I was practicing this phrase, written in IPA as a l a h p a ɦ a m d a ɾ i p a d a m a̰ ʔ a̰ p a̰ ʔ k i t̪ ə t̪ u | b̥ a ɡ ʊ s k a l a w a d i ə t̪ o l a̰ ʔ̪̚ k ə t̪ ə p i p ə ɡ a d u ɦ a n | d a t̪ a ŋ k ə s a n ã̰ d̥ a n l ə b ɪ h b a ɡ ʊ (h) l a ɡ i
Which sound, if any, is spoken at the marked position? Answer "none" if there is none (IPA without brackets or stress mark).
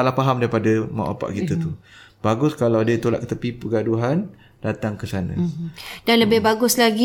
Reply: s